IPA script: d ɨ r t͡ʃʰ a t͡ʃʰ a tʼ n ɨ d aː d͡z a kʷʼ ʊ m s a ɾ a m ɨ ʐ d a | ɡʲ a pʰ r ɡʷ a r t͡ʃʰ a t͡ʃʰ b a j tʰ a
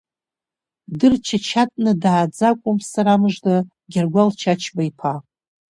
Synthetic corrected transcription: d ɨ r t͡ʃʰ a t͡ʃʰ a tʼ n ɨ d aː d͡z a kʷʼ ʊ m s a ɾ a m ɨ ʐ d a | ɡʲ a r ɡʷ a l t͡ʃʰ a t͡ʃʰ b a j pʰ a

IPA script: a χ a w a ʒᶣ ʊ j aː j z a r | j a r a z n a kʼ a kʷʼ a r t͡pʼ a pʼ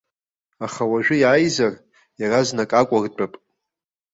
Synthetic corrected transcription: a χ a w a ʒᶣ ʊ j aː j z a r | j a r a z n a kʼ a kʷʼ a r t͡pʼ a pʼ

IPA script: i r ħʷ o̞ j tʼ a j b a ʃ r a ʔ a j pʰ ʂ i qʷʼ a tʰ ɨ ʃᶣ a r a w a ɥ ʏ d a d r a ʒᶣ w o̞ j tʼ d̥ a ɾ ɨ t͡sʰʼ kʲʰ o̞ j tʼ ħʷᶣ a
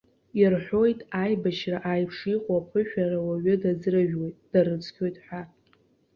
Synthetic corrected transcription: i r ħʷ o̞ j tʼ a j b a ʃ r a ʔ a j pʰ ʂ i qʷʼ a pʰ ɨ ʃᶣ a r a w a ɥ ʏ d a d͡z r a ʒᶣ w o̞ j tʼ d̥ a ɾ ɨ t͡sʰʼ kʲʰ o̞ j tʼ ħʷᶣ a

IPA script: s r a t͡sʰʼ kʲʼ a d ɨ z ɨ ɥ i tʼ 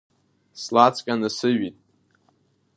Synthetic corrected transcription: s l a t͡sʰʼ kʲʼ a n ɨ s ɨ ɥ i tʼ

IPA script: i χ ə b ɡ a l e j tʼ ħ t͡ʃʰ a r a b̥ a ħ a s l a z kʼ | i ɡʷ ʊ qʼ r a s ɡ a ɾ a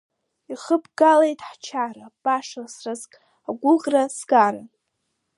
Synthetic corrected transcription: i χ ə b ɡ a l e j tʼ ħ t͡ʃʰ a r a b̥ a ʂ a s r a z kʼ | a ɡʷ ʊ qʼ r a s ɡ a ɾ a

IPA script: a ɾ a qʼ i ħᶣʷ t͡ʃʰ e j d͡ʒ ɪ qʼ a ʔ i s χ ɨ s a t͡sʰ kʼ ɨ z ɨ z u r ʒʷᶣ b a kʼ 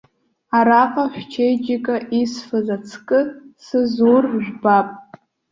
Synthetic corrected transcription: a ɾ a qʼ a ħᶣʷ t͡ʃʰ e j d͡ʒ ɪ kʼ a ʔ i s f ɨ z a t͡sʰ kʼ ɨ s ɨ z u r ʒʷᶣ b a pʼ

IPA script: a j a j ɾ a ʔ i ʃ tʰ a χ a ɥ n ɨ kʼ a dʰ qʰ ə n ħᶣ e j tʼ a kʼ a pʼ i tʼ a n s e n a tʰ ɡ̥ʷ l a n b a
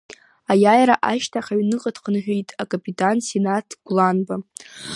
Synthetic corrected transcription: a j a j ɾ a ʔ a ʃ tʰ a χ a ɥ n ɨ qʼ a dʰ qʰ ə n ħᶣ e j tʼ a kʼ a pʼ i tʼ a n s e n a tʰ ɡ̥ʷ l a n b a

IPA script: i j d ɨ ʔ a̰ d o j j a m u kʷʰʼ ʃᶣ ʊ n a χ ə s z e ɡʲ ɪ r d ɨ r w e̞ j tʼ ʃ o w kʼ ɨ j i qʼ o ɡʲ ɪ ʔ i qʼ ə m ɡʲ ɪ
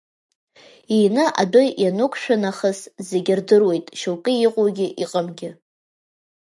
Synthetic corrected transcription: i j n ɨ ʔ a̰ d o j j a n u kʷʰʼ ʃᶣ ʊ n a χ ə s z e ɡʲ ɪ r d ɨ r w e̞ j tʼ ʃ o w kʼ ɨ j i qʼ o ɡʲ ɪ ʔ i qʼ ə m ɡʲ ɪ

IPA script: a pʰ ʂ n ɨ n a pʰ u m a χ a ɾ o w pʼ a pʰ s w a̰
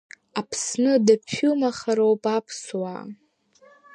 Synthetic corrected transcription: a pʰ s n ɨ d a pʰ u m a χ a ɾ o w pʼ a pʰ s w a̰

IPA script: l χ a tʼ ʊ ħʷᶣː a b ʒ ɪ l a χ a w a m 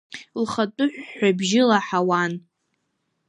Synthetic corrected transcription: l χ a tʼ ʊ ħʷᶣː a b ʒ ɪ l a ħ a w a n

